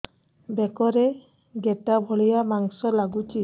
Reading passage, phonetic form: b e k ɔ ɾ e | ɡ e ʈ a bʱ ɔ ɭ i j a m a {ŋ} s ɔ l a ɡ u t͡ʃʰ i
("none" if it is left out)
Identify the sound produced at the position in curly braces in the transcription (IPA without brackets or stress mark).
ŋ